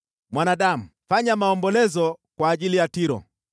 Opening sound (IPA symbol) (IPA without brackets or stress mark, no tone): m